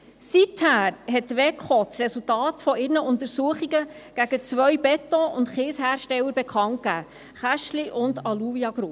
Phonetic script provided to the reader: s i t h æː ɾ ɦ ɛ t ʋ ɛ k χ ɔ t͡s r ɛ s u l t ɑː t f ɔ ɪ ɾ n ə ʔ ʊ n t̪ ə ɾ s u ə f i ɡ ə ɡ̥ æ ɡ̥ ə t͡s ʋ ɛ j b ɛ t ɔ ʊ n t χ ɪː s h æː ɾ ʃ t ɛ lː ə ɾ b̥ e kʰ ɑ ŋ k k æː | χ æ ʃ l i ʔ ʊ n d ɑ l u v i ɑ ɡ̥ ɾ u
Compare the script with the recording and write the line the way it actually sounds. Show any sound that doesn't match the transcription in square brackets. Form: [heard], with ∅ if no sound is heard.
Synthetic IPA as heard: s i t h æː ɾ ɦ ɛ t ʋ ɛ k χ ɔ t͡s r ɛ s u l t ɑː t f ɔ ɪ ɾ n ə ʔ ʊ n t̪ ə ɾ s u ə [χ] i ɡ ə ɡ̥ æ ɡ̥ ə t͡s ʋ [œ] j b ɛ t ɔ ʊ n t χ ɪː s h æː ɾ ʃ t ɛ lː ə ɾ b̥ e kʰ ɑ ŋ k k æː | χ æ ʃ l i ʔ ʊ n d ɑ l u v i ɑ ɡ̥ ɾ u

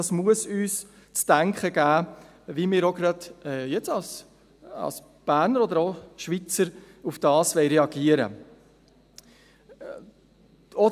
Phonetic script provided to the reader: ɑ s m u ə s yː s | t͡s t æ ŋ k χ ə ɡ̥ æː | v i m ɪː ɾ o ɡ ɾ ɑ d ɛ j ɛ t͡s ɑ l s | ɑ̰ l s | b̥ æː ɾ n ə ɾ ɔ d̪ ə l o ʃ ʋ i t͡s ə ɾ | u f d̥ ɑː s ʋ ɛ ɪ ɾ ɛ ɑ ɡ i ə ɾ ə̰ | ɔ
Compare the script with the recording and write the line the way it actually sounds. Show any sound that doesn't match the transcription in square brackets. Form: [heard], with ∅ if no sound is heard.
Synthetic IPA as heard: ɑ s m u ə s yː s | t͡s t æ ŋ k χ ə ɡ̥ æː | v i m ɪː ɾ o ɡ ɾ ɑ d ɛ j ɛ t͡s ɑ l s | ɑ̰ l s | b̥ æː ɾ n ə ɾ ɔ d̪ ə [ɾ] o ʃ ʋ i t͡s ə ɾ | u f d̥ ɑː s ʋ ɛ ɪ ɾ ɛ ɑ ɡ i ə ɾ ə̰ | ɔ

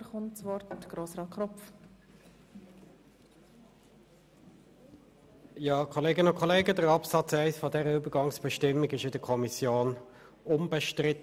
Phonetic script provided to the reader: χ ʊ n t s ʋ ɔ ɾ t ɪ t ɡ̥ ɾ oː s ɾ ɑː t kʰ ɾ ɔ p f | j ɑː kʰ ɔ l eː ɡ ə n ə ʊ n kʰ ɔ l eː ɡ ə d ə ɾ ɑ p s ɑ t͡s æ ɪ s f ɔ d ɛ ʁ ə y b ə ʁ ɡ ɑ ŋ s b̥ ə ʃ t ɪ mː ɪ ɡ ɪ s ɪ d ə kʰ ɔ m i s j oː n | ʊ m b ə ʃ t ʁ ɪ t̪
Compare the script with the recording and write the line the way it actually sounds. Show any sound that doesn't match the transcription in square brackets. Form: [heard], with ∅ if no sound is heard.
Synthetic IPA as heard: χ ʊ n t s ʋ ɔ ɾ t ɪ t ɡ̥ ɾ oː s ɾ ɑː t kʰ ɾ ɔ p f | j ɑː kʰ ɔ l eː ɡ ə n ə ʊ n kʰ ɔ l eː ɡ ə d ə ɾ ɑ p s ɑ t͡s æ ɪ s f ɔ d ɛ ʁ ə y b ə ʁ ɡ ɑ ŋ s b̥ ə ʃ t ɪ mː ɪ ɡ ɪ [ʃ] ɪ d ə kʰ ɔ m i s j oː n | ʊ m b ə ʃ t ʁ ɪ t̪

